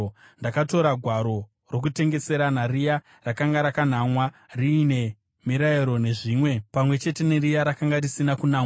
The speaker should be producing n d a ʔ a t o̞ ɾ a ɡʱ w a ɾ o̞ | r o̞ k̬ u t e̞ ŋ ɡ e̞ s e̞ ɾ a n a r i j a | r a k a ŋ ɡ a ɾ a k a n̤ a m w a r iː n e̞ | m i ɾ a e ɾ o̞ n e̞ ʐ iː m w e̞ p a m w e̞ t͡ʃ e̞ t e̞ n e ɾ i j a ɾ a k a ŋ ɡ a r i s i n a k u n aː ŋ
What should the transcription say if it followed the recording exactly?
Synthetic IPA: n d a k a t o̞ ɾ a ɡʱ w a ɾ o̞ | r o̞ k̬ u t e̞ ŋ ɡ e̞ s e̞ ɾ a n a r i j a | r a k a ŋ ɡ a ɾ a k a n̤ a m w a r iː n e̞ | m i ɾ a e ɾ o̞ n e̞ ʐ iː m w e̞ p a m w e̞ t͡ʃ e̞ t e̞ n e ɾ i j a ɾ a k a ŋ ɡ a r i s i n a k u n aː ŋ